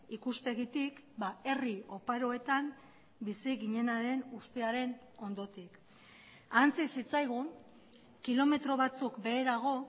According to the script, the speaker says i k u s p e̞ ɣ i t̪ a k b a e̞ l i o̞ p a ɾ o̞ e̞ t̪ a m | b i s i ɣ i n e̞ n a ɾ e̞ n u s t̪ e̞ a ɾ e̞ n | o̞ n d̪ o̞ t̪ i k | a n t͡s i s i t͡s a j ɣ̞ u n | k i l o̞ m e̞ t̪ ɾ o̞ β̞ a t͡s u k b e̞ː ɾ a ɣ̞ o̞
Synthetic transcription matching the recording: i k u s p e̞ ɣ i t̪ i k b a e̞ r i o̞ p a ɾ o̞ e̞ t̪ a m | b i s i ɣ i ɲ e̞ n a ɾ e̞ n u s t̪ e̞ a ɾ e̞ n | o̞ n d̪ o̞ t̪ i k | a n t͡s i s i t͡s a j ɣ̞ u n | k i l o̞ m e̞ t̪ ɾ o̞ β̞ a t͡s u k b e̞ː ɾ a ɣ̞ o̞

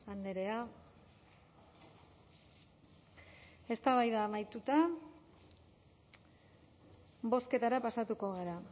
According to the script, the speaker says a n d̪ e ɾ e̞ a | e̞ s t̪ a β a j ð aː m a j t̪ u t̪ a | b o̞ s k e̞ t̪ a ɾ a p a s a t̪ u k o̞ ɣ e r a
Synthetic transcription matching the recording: a n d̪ e ɾ e̞ a | e̞ s t̪ a β a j ð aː m a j t̪ u t̪ a | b o̞ s k e̞ t̪ a ɾ a p a s a t̪ u k o̞ ɣ e ɾ a

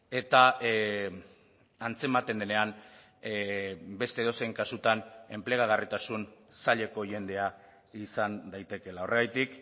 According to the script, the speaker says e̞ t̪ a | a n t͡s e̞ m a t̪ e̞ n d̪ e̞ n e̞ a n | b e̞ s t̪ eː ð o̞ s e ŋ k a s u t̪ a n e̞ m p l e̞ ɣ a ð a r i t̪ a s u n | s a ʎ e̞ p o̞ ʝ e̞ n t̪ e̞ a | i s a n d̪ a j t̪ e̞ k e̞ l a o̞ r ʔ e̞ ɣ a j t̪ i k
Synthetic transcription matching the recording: e̞ t̪ a | a n t͡s e̞ m a t̪ e̞ n d̪ e̞ n e̞ a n | b e̞ s t̪ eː ð o̞ s e ŋ k a s u t̪ a n e̞ m p l e̞ ɣ a ɣ a r i t̪ a s u n | s a ʎ e̞ k o̞ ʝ e̞ n d̪ e̞ a | i s a n d̪ a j t̪ e̞ k e̞ l a o̞ r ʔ e̞ ɣ a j t̪ i k

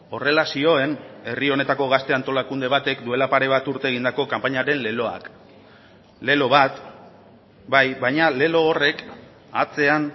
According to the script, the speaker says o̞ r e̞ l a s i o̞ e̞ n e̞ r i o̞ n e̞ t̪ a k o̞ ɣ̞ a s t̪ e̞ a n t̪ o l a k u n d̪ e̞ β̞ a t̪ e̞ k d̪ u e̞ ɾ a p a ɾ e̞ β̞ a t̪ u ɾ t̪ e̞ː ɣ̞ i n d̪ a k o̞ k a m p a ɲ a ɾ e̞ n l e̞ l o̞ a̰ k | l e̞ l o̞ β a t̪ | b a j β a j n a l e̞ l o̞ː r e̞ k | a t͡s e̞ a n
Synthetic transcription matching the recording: o̞ r e̞ l a s i o̞ e̞ n e̞ r i o̞ n e̞ t̪ a k o̞ ɣ̞ a s t̪ e̞ a n t̪ o l a k u n d̪ e̞ β̞ a t̪ e̞ k d̪ u e̞ l a p a ɾ e̞ β̞ a t̪ u ɾ t̪ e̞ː ɣ̞ i n d̪ a k o̞ k a m p a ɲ a ɾ e̞ n l e̞ l o̞ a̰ k | l e̞ l o̞ β a t̪ | b a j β a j ɲ a l e̞ l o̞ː r e̞ k | a t͡s e̞ a n

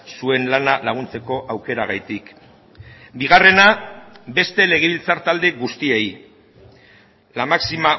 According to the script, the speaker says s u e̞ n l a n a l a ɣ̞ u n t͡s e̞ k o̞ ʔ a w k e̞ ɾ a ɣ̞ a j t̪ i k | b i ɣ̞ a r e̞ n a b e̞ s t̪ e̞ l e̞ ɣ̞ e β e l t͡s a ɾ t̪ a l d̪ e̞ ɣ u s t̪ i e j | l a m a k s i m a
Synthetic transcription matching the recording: s u e̞ n l a n a l a ɣ̞ u n t͡s e̞ k o̞ ʔ a w k e̞ ɾ a ɣ̞ a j t̪ i k | b i ɣ̞ a r e̞ n a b e̞ s t̪ e̞ l e̞ ɣ̞ e β i l t͡s a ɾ t̪ a l d̪ e̞ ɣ u s t̪ i e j | l a m a k s i m a

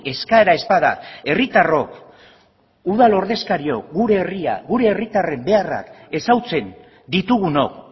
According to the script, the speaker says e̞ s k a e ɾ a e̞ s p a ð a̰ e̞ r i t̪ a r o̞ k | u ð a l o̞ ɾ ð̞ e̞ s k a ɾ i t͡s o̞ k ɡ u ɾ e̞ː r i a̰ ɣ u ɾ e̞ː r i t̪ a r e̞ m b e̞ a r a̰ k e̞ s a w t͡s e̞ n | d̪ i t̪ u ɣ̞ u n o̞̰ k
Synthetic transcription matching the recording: e̞ s k a e ɾ a e̞ s p a ð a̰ e̞ r i t̪ a r o̞ k | u ð a l o̞ ɾ ð̞ e̞ s k a ɾ i o̞ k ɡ u ɾ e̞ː r i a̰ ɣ u ɾ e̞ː r i t̪ a r e̞ m b e̞ a r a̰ k e̞ s a w t͡s e̞ n | d̪ i t̪ u ɣ̞ u n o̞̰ k

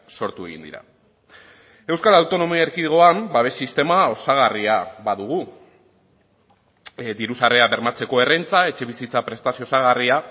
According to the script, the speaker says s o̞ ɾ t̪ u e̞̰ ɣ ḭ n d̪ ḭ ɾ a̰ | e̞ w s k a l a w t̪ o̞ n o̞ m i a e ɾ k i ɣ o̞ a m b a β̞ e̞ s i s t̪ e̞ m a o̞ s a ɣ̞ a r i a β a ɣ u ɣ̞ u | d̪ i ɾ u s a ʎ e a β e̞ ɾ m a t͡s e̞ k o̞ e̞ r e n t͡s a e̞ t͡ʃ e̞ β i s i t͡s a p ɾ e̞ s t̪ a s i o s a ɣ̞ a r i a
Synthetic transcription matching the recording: s o̞ ɾ t̪ u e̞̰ ɣ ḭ n d̪ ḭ ɾ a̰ | e̞ w s k a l a w t̪ o̞ n o̞ m i a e ɾ k i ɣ o̞ a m b a β̞ e̞ s i s t̪ e̞ m a o̞ s a ɣ̞ a r i a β a ð u ɣ̞ u | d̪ i ɾ u s a r e a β e̞ ɾ m a t͡s e̞ k o̞ e̞ r e n t͡s a e̞ t͡ʃ e̞ β i s i t͡s a p ɾ e̞ s t̪ a s i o s a ɣ̞ a r i a

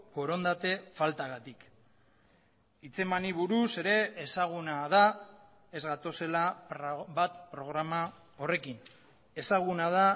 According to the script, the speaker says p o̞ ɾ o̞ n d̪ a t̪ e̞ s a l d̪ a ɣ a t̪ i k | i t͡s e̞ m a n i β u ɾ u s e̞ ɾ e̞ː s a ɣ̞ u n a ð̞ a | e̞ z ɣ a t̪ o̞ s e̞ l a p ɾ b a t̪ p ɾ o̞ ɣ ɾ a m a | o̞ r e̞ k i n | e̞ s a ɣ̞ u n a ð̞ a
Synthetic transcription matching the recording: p o̞ ɾ o̞ n d̪ a t̪ e̞ f a l t̪ a ɣ a t̪ i k | i t͡s e̞ m a n i β u ɾ u s e̞ ɾ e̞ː s a ɣ̞ u n a ð̞ a | e̞ z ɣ a t̪ o̞ s e̞ l a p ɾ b a t̪ p ɾ o̞ ɣ ɾ a m a | o̞ r e̞ k i n | e̞ s a ɣ̞ u n a ð̞ a

